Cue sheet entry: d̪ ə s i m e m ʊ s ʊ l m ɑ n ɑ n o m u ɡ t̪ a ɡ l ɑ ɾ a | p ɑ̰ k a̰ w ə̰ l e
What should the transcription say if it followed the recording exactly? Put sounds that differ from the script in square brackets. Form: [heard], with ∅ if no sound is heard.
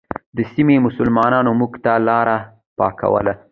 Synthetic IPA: d̪ ə s i m e m ʊ s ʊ l m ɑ n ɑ n o m u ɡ t̪ a [∅] l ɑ ɾ a | p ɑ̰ k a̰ w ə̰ l [a]